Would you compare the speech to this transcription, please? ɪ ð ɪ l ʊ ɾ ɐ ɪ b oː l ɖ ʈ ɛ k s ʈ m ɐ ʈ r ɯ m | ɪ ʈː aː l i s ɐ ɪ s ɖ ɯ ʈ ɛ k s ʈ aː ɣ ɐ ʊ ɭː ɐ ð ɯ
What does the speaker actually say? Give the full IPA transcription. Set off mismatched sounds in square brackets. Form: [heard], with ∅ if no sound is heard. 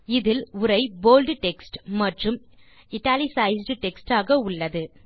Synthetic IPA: ɪ ð ɪ l ʊ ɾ ɐ ɪ b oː l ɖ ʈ ɛ k s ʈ m ɐ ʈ r ɯ m | ɪ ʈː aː l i s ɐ ɪ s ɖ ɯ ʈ ɛ k s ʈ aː ɣ ɐ ʊ ɭː ɐ ð ɯ